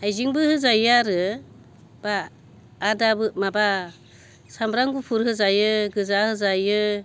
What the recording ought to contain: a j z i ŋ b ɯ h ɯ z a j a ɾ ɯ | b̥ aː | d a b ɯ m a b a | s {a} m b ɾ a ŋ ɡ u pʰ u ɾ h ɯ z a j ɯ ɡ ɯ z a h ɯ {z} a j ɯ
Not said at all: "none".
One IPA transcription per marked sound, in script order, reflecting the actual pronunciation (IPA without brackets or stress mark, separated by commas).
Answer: a, z